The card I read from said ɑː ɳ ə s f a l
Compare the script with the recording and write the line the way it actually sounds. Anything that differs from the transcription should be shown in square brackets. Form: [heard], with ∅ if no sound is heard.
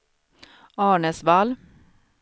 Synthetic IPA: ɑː ɳ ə s [v] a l